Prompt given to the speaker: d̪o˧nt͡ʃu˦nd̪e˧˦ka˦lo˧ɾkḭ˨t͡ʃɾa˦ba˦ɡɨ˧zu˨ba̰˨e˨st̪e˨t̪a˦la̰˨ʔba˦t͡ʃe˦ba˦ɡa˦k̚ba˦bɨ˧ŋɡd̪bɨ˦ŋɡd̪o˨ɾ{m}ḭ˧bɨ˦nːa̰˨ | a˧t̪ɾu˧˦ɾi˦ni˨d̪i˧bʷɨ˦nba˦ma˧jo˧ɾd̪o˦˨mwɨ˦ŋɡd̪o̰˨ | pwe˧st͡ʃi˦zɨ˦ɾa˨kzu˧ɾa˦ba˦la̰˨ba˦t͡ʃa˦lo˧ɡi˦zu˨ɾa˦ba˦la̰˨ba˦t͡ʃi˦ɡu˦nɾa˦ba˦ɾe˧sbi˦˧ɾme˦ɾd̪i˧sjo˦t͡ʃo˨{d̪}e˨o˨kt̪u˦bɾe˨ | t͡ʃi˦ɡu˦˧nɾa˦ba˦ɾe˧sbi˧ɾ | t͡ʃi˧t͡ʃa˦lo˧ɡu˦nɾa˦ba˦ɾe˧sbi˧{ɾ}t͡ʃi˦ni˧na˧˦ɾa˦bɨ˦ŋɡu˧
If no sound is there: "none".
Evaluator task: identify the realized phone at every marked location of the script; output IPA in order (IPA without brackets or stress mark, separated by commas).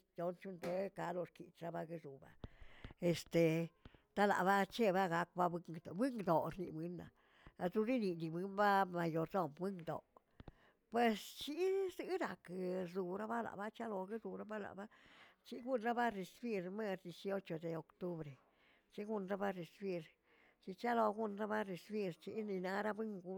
n, d̪, ɾ